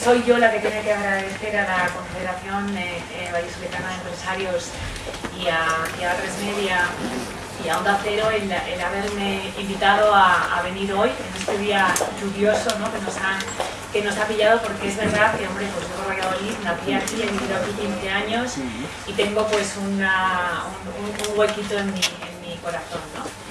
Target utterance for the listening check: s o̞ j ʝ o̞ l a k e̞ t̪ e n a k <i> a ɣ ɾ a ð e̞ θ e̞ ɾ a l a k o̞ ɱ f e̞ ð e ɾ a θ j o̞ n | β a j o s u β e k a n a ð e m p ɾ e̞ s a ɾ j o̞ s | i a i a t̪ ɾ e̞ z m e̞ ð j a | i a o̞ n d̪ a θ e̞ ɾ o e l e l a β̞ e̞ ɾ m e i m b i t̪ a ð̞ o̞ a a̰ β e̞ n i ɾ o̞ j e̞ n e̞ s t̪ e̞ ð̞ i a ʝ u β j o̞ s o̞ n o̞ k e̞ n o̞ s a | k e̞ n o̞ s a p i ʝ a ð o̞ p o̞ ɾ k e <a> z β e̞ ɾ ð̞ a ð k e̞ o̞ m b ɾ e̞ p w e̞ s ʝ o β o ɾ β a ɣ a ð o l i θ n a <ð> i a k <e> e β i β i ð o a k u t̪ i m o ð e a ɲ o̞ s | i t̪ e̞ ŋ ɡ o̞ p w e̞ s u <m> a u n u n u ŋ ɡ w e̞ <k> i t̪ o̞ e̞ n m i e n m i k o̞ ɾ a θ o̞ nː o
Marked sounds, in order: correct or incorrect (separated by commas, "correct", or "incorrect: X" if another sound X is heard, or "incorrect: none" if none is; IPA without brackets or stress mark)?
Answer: incorrect: e, incorrect: e, incorrect: θ, incorrect: i, incorrect: n, correct